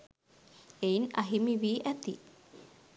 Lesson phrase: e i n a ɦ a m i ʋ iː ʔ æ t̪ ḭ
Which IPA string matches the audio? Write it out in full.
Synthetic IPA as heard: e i n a ɦ i m i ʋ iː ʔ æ t̪ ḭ